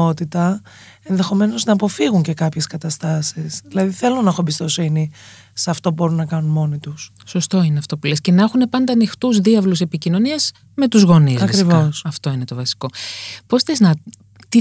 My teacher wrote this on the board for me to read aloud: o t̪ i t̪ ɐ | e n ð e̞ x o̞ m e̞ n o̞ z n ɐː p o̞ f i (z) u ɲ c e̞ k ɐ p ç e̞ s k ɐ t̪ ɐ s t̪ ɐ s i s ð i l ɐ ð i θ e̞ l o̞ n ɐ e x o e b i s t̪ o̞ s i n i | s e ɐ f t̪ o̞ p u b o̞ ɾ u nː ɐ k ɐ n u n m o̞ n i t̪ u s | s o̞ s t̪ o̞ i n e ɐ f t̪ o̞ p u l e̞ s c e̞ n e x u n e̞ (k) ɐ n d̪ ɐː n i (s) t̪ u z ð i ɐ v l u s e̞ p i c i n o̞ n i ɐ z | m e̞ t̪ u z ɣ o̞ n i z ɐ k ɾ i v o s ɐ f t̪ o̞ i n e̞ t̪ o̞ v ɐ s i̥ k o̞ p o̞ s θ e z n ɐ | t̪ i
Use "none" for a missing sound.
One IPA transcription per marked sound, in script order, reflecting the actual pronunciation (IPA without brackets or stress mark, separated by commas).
ɣ, p, x